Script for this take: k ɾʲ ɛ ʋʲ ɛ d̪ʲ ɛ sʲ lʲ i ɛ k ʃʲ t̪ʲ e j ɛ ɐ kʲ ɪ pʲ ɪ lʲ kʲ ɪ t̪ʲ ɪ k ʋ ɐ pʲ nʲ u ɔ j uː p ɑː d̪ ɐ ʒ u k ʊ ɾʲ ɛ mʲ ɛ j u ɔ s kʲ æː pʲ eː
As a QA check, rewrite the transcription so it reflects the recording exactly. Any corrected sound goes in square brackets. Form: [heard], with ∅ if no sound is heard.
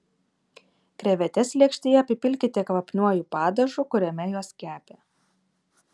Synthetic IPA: k ɾʲ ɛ ʋʲ ɛ [t̪ʲ] ɛ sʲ lʲ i ɛ k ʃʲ t̪ʲ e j ɛ ɐ [pʲ] ɪ pʲ ɪ lʲ kʲ ɪ t̪ʲ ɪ k ʋ ɐ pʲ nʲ u ɔ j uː p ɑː d̪ ɐ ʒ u k ʊ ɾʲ ɛ mʲ ɛ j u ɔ s kʲ æː pʲ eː